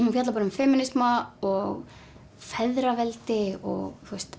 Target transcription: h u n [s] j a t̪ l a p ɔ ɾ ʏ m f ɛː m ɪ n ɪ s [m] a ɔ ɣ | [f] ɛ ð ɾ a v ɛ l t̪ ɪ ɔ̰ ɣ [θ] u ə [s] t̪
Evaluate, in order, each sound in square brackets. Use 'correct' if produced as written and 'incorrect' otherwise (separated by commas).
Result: incorrect, correct, correct, correct, correct